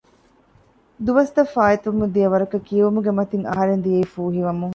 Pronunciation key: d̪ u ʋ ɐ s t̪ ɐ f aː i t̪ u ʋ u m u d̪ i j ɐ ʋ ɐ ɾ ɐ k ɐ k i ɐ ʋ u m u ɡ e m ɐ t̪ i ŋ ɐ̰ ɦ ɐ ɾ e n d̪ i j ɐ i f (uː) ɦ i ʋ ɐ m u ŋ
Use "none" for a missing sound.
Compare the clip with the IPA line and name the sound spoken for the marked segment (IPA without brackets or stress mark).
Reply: uː